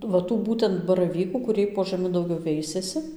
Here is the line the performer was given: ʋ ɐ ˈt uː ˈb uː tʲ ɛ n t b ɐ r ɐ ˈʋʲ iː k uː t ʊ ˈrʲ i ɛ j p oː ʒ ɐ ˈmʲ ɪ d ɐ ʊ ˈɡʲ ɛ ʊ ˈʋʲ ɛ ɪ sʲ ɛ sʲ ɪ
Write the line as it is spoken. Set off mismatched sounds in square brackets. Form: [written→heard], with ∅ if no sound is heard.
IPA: ʋ ɐ ˈt uː ˈb uː tʲ ɛ n t b ɐ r ɐ ˈʋʲ iː k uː [t→k] ʊ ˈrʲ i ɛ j p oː ʒ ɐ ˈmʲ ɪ d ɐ ʊ ˈɡʲ ɛ ʊ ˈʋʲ ɛ ɪ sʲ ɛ sʲ ɪ